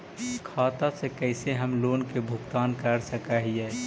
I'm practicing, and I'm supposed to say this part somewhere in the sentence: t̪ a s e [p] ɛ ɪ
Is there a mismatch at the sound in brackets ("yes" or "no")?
yes